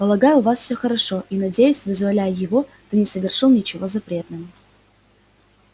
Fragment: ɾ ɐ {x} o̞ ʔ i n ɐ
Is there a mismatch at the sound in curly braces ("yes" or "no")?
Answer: yes